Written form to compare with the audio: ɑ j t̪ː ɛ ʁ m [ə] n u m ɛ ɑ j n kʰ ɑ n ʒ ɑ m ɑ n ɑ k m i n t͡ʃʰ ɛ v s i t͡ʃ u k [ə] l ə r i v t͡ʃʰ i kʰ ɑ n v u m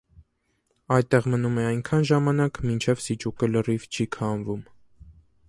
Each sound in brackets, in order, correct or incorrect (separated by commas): correct, correct